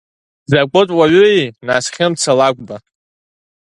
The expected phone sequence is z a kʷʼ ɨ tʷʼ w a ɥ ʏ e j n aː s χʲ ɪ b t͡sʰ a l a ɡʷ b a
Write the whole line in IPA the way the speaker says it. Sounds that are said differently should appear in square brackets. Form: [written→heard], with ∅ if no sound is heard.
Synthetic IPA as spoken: z a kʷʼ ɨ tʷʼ w a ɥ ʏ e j n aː s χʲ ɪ [b→m] t͡sʰ a l a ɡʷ b a